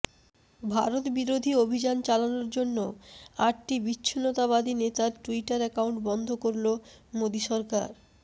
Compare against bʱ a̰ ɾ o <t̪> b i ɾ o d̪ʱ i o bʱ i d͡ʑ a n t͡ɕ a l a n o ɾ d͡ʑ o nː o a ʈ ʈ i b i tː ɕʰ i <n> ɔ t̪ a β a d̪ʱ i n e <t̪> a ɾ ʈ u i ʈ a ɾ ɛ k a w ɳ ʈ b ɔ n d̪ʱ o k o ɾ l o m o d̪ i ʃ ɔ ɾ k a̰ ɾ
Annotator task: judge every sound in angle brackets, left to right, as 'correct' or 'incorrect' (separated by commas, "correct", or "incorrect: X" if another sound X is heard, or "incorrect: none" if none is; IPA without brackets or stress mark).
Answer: correct, correct, correct